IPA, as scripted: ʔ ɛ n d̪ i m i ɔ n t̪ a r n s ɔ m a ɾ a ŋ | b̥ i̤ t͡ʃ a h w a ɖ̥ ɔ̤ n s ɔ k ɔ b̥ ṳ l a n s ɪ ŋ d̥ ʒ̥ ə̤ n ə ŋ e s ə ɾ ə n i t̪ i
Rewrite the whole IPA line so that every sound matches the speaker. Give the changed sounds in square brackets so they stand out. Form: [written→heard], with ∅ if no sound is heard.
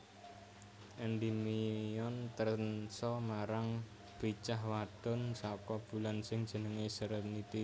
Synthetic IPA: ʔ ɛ n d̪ i m i ɔ n t̪ [a→ə] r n s ɔ m a ɾ a ŋ | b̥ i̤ t͡ʃ a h w a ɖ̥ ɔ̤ n s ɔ k ɔ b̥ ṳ l a n s ɪ ŋ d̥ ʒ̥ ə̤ n ə ŋ e s ə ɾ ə n i t̪ i